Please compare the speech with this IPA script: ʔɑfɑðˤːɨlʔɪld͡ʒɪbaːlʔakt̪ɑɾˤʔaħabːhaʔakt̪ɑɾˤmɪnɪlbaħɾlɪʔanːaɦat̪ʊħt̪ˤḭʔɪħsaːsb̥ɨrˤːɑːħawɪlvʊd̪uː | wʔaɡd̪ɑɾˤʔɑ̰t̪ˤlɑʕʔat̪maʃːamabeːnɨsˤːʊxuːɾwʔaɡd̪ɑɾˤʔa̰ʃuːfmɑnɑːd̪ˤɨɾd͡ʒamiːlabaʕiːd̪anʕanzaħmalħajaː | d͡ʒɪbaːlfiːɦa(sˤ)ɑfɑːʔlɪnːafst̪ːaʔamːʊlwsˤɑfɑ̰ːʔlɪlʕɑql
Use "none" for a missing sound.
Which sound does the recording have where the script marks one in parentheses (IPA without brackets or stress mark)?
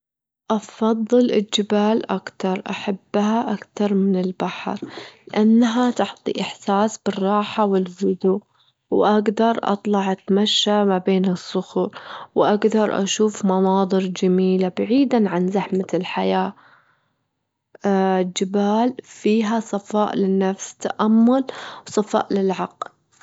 sˤ